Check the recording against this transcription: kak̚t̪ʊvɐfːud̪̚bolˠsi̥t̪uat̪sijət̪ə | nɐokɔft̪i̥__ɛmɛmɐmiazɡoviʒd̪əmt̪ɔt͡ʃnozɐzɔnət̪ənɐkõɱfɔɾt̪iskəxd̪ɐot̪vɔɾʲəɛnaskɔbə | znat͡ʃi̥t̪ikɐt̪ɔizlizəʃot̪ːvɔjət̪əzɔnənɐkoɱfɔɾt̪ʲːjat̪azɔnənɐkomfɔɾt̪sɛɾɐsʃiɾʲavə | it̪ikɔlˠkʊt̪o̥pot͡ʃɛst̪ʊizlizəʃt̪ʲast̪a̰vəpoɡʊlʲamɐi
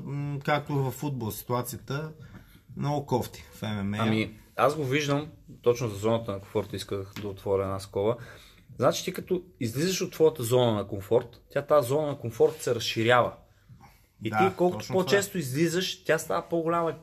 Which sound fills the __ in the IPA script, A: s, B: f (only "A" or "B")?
B